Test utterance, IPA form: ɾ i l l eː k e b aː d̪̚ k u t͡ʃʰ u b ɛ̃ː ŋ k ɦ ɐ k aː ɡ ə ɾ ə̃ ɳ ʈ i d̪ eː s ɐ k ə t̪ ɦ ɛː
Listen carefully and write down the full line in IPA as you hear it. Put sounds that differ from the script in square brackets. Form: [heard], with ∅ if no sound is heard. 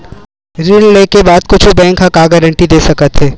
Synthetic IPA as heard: ɾ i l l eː k e b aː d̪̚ k [ʊ] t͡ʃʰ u b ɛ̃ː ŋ k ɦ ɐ k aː ɡ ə ɾ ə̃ ɳ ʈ i d̪ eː s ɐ k ə t̪ ɦ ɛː